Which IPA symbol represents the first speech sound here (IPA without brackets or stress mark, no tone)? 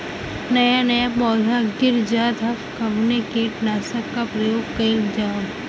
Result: n